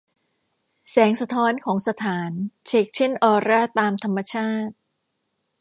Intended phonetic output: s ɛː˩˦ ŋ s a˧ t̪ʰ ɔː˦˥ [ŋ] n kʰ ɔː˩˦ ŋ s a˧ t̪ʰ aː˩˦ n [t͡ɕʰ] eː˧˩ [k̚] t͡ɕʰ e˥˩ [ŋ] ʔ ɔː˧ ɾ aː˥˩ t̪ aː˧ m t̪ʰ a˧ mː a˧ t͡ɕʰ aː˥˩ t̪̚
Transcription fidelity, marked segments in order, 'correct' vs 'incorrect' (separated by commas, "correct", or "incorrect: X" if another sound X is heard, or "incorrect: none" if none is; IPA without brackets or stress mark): incorrect: none, correct, correct, incorrect: n